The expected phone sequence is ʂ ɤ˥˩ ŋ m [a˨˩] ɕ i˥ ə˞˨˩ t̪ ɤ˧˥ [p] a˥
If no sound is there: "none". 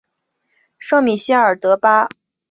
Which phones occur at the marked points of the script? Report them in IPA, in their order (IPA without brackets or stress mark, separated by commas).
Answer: i˨˩, p